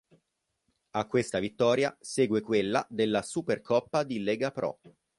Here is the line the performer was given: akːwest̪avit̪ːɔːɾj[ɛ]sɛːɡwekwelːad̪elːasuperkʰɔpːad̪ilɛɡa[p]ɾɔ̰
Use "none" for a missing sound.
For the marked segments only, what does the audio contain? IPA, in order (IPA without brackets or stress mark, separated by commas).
a, p